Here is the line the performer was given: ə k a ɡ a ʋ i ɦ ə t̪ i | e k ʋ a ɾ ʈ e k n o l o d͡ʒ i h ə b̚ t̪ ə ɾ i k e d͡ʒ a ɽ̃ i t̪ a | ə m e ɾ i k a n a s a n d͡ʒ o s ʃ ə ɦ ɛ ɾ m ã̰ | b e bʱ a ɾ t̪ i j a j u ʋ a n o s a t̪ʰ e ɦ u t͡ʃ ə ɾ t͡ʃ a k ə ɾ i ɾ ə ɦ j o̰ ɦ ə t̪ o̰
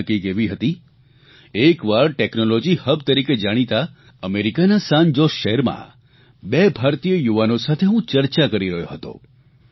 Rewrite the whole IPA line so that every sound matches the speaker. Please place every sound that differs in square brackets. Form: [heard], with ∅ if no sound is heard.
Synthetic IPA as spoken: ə k [i] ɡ [e] ʋ i ɦ ə t̪ i | e k ʋ a ɾ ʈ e k n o l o d͡ʒ i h ə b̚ t̪ ə ɾ i k e d͡ʒ a ɽ̃ i t̪ a | ə m e ɾ i k a n a s a n d͡ʒ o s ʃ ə ɦ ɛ ɾ m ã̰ | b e bʱ a ɾ t̪ i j [ə] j u ʋ a n o s a t̪ʰ e ɦ [ũ] t͡ʃ ə ɾ t͡ʃ a k ə ɾ i ɾ ə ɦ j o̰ ɦ ə t̪ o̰